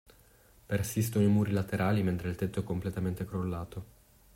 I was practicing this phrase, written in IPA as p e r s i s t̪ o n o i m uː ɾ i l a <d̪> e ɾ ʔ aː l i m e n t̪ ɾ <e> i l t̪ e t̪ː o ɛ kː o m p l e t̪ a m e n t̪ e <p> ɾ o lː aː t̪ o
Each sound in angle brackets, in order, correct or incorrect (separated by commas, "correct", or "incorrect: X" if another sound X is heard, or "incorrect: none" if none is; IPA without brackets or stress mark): incorrect: t̪, correct, incorrect: k